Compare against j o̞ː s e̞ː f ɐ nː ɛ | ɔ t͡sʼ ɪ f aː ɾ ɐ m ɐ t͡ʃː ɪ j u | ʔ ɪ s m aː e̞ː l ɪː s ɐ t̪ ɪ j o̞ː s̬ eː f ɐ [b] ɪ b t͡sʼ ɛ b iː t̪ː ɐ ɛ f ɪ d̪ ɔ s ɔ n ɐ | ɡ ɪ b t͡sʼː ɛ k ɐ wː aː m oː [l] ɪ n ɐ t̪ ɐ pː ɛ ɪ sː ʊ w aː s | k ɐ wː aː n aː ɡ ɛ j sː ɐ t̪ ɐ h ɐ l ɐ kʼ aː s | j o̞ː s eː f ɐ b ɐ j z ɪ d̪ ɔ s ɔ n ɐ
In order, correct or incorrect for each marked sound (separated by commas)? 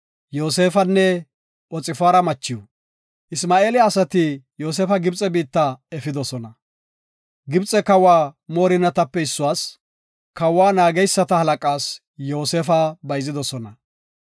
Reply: incorrect, incorrect